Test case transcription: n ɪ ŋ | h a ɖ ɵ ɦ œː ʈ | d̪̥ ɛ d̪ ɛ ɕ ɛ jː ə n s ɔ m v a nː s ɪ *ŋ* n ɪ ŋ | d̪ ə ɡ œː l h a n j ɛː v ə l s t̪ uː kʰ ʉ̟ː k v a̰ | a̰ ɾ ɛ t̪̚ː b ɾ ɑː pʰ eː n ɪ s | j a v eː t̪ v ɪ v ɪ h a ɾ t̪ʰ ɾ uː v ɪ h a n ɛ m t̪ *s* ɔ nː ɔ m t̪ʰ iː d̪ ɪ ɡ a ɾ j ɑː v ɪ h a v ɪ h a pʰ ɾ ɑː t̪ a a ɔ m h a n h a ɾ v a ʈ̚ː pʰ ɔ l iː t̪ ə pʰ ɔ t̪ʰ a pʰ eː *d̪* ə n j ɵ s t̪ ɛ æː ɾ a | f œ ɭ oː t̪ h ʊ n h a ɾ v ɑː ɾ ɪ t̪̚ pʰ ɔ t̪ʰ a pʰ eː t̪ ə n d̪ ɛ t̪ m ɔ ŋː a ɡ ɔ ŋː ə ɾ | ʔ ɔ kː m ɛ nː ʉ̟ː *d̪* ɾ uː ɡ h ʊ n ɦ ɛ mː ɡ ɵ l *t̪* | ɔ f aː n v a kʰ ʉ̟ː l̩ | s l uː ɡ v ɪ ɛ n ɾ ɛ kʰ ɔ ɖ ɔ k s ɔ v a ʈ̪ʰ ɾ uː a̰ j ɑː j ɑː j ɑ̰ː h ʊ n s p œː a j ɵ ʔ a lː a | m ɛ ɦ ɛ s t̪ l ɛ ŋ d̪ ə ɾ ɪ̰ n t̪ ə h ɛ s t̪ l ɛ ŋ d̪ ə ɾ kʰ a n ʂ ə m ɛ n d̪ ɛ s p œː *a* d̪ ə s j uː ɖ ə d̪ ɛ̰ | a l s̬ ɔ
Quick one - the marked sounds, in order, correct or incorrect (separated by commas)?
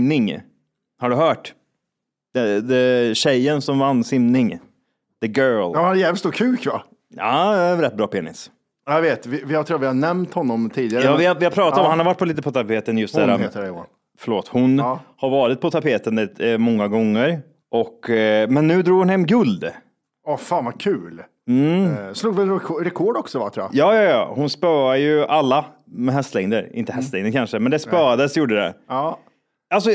incorrect, incorrect, incorrect, correct, incorrect, correct